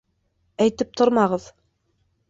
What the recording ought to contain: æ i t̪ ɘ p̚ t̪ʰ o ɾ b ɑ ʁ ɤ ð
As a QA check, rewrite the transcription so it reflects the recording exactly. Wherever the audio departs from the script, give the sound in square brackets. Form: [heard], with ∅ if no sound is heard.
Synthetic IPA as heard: æ [j] t̪ ɘ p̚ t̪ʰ o ɾ [m] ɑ ʁ ɤ ð

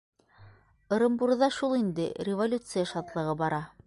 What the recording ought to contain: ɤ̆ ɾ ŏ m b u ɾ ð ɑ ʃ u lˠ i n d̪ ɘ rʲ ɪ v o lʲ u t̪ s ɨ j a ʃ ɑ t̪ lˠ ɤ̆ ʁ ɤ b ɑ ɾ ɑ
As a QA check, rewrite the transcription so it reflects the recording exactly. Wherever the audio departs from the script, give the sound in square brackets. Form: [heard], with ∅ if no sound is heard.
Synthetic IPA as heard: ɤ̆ ɾ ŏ m b u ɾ ð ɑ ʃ u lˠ i n d̪ ɘ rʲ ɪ v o lʲ u t̪ s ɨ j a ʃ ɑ t̪ lˠ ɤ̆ ʁ ɤ b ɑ ɾ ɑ

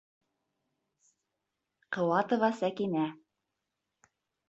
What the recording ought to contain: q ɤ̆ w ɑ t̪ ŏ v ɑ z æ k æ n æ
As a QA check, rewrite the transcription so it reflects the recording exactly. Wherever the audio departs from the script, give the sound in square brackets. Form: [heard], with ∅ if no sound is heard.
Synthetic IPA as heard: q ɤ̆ w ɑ t̪ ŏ v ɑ [s] æ k [i] n æ

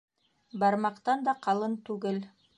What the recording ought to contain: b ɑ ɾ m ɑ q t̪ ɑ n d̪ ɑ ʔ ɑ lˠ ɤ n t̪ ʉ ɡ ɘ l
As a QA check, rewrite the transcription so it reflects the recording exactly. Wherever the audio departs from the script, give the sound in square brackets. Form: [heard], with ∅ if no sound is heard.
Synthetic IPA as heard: b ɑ ɾ m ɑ q t̪ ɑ n d̪ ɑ [q] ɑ lˠ ɤ n t̪ ʉ ɡ ɘ l

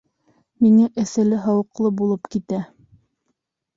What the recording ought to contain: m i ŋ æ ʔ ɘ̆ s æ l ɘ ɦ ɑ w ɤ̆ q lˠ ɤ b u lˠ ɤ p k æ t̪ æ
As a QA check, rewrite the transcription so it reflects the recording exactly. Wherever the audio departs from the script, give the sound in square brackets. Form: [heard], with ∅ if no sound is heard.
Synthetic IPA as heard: m i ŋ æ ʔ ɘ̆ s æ l ɘ ɦ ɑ w ɤ̆ q lˠ ɤ b u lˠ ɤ p k [i] t̪ æ

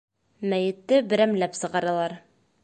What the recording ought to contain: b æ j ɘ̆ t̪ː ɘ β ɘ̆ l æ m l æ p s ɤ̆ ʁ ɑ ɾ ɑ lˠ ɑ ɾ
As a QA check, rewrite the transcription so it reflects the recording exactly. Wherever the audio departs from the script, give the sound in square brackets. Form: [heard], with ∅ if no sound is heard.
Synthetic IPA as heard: [m] æ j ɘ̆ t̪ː ɘ [b] ɘ̆ [ɾ] æ m l æ p s ɤ̆ ʁ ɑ ɾ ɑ lˠ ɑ ɾ

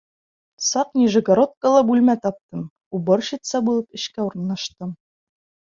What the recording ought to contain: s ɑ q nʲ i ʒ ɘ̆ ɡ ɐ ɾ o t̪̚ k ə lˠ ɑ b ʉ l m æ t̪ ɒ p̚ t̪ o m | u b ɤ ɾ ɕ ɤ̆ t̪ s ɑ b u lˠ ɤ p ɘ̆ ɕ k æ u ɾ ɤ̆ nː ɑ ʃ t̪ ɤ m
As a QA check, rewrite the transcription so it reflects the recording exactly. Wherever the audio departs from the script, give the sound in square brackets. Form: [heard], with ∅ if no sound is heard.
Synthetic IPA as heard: s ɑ q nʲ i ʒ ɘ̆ ɡ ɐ ɾ o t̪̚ k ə lˠ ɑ b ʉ l m æ t̪ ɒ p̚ t̪ [ɤ] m | u b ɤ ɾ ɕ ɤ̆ t̪ s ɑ b u lˠ ɤ p ɘ̆ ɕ k æ u ɾ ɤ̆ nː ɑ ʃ t̪ ɤ m

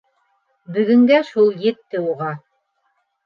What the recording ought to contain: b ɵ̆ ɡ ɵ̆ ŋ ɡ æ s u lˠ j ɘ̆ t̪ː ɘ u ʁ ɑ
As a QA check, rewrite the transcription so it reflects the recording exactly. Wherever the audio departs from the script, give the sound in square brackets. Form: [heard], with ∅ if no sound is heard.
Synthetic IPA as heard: b ɵ̆ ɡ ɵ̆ ŋ ɡ æ [ʃ] u lˠ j ɘ̆ t̪ː ɘ u ʁ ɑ

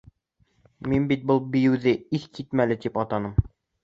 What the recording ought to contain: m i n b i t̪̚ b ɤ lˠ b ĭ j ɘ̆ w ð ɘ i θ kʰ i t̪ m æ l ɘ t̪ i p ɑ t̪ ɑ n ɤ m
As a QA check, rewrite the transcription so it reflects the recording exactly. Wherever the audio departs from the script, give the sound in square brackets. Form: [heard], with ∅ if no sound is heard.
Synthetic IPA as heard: m i n b i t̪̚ b ɤ lˠ b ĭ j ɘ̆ w ð ɘ i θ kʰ i t̪ m æ l ɘ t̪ i p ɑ t̪ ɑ n ɤ m

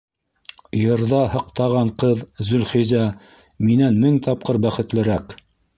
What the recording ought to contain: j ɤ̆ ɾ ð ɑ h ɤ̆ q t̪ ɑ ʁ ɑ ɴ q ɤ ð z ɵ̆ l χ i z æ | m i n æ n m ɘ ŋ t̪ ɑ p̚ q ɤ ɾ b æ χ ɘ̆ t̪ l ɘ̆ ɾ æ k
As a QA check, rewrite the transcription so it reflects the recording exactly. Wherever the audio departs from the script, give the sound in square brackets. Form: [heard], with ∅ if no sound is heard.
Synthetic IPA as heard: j ɤ̆ ɾ ð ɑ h ɤ̆ q t̪ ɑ ʁ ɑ ɴ q ɤ ð z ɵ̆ l χ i z æ | m i n æ n m ɘ ŋ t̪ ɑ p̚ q ɤ ɾ b æ χ ɘ̆ t̪ l ɘ̆ ɾ æ k

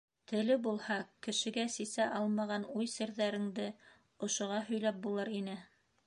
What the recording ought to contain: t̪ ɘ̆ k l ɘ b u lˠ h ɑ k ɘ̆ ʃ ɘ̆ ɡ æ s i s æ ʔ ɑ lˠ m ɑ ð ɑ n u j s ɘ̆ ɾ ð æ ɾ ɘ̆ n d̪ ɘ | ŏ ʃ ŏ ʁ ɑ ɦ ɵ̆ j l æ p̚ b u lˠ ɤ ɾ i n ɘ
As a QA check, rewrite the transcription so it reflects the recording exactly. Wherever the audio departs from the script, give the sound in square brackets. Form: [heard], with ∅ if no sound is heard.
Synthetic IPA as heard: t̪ ɘ̆ [∅] l ɘ b u lˠ h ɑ k ɘ̆ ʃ ɘ̆ ɡ æ s i s æ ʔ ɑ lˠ m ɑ [ʁ] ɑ n u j s ɘ̆ ɾ ð æ ɾ ɘ̆ [ŋ] d̪ ɘ | ŏ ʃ ŏ ʁ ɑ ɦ ɵ̆ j l æ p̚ b u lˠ ɤ ɾ i n ɘ

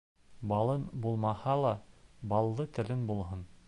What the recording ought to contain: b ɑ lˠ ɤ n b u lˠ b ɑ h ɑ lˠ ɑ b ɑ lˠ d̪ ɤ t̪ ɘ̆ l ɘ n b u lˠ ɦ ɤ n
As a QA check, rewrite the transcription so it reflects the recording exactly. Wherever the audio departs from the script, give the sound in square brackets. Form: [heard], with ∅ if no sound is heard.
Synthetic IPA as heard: b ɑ lˠ ɤ n b u lˠ [m] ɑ h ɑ lˠ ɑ b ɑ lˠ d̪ ɤ t̪ ɘ̆ l ɘ n b u lˠ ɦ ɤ n

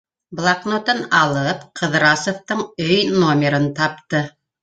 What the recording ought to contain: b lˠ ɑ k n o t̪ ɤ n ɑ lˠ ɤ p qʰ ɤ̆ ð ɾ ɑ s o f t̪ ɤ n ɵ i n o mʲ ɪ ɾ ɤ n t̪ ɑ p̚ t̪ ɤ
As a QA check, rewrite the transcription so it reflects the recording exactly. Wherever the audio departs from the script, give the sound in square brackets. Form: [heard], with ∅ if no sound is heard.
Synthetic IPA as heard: b lˠ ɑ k n o t̪ ɤ n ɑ lˠ ɤ p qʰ ɤ̆ ð ɾ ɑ s o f t̪ ɤ [ɴ] ɵ [j] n o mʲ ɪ ɾ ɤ n t̪ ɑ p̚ t̪ ɤ

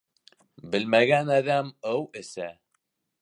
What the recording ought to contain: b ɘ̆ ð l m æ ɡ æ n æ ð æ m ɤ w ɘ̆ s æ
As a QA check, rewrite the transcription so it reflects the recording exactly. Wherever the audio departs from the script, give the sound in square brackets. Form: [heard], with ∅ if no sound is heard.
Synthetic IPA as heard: b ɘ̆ [∅] l m æ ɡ æ n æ ð æ m ɤ w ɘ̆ s æ

